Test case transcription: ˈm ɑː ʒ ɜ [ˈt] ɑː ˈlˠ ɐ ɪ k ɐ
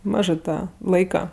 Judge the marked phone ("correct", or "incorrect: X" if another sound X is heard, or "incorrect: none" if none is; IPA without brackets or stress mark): correct